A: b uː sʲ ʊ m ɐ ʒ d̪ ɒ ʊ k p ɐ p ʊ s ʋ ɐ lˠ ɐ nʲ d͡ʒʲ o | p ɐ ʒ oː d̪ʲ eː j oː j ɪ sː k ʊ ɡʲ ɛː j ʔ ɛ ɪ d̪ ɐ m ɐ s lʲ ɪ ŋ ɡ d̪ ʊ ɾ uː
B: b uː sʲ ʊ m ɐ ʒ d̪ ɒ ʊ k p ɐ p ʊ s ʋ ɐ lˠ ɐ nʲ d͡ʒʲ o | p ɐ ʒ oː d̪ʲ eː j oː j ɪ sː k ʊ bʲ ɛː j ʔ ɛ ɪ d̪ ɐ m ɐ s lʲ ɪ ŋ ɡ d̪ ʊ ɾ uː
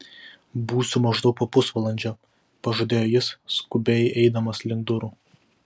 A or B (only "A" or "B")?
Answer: B